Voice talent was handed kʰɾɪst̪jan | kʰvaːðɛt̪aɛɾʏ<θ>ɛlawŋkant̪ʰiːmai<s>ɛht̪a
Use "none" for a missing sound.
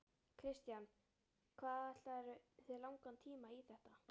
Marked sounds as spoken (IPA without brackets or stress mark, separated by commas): θ, θ